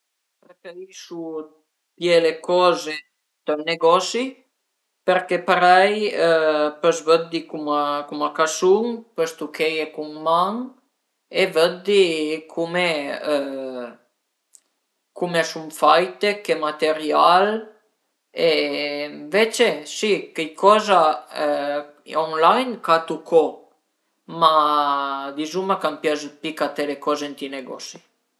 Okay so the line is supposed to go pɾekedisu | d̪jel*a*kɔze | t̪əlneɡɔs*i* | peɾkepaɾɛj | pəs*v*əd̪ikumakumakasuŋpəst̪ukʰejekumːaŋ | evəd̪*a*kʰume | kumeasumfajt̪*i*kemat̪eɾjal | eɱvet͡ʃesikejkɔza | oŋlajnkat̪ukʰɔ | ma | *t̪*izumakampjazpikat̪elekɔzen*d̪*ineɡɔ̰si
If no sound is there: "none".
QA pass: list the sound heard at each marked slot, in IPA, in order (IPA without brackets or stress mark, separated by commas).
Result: e, i, v, i, e, d̪, t̪